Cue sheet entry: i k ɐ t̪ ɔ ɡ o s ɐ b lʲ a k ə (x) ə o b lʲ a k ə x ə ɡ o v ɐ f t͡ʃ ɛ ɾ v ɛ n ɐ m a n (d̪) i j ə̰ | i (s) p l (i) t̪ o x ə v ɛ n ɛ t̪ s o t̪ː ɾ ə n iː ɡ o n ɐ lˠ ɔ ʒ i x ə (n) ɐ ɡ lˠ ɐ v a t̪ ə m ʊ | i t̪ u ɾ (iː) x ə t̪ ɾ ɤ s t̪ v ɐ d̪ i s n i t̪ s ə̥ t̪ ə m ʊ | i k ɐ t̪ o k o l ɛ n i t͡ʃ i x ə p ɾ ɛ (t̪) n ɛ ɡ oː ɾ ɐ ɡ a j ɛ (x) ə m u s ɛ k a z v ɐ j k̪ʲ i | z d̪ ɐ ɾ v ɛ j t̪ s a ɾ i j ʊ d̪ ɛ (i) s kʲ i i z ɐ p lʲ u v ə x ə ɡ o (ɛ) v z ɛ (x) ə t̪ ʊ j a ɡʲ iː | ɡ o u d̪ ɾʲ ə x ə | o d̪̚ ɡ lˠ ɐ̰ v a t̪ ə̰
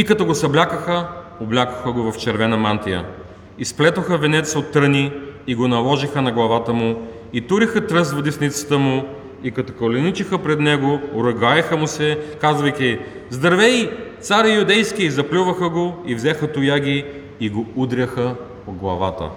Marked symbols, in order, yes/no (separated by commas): yes, no, yes, no, yes, no, no, yes, no, no, yes